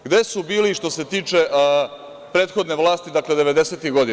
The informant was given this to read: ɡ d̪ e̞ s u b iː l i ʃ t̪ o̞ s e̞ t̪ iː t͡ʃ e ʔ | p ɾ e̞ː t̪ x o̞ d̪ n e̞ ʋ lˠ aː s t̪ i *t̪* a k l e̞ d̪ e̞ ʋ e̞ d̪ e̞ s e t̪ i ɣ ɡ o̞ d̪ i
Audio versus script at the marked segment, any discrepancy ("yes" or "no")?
yes